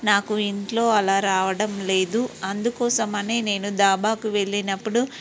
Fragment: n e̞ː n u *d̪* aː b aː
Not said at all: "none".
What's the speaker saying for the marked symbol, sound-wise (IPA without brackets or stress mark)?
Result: d̪